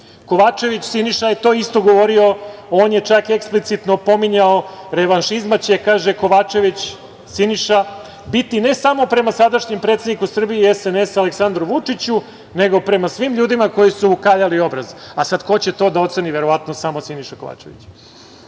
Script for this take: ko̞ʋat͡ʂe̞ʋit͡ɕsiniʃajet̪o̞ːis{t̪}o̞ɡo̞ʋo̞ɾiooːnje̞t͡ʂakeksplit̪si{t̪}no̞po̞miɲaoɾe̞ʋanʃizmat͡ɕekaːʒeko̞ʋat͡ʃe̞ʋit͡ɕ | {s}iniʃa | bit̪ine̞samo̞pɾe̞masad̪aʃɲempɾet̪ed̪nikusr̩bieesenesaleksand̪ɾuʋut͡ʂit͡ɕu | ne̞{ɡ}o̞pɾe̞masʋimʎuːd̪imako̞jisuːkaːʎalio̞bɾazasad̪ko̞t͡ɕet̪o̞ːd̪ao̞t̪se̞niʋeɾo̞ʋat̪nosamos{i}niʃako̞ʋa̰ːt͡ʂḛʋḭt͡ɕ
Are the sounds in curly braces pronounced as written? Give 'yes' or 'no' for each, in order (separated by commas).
yes, yes, yes, yes, yes